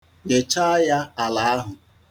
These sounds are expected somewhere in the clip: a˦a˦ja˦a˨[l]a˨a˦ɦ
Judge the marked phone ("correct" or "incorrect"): correct